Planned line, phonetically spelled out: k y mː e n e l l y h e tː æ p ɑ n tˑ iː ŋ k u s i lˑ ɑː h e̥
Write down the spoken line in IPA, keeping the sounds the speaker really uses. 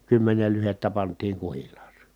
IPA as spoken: k y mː e n e l l y h e tː æ p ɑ n tˑ iː ŋ k u h i lˑ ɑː s e̥